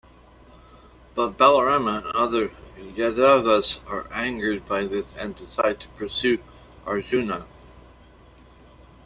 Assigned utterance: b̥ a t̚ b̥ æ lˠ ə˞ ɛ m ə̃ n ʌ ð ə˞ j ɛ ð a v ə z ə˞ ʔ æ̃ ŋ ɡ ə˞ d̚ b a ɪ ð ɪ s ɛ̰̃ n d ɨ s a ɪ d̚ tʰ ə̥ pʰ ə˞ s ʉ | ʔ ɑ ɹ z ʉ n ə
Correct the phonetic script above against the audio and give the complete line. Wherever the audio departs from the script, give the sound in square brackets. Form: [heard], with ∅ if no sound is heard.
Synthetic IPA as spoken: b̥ [ʌ] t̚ b̥ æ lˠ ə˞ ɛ m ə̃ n ʌ ð ə˞ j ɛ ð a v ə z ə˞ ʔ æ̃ ŋ ɡ ə˞ d̚ b a ɪ ð ɪ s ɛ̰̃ n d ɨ s a ɪ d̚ tʰ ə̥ pʰ ə˞ s ʉ | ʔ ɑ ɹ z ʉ n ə